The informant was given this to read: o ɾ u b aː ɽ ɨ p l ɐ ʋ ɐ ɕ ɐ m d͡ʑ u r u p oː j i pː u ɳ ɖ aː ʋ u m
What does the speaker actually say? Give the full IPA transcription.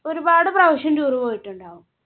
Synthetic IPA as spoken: o ɾ u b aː ɽ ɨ p r ɐ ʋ ɐ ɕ ɐ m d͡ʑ uː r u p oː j i ʈː u ɳ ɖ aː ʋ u m